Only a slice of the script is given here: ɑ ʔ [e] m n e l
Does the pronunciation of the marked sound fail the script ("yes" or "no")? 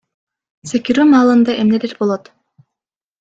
no